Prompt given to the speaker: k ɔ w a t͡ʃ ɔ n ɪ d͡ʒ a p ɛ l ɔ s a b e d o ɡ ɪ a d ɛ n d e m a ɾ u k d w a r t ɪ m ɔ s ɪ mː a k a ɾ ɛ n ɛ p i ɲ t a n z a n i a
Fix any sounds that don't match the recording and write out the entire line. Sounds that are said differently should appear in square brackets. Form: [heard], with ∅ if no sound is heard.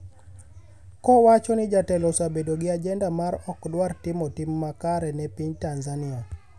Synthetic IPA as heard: k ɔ w a t͡ʃ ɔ n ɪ d͡ʒ a [t] ɛ l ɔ s a b e d o ɡ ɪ a [d͡ʒ] ɛ n d [a] m a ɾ [ɔ] k d w a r t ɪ m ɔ [t] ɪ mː a k a ɾ ɛ n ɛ p i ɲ t a n z a n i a